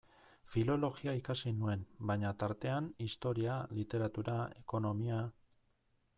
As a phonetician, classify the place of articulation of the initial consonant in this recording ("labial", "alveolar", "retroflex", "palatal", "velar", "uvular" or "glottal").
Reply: labial